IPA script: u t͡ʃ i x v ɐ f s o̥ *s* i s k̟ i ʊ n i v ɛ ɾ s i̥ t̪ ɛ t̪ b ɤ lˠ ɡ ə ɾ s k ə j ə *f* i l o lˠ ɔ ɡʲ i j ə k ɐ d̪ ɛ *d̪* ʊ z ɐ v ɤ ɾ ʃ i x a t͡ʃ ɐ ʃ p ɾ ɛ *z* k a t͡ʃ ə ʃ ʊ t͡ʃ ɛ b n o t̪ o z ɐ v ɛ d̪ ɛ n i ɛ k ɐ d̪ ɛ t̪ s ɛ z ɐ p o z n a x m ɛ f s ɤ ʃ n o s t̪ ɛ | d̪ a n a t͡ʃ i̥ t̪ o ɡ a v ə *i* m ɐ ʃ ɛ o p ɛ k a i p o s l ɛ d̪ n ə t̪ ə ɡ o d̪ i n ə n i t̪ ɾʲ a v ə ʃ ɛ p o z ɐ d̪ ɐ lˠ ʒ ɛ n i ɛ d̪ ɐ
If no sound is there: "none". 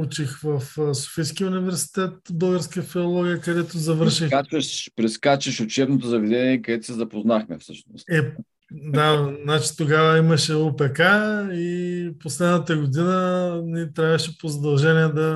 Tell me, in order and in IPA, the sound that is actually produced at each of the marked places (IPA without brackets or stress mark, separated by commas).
f, f, t̪, s, i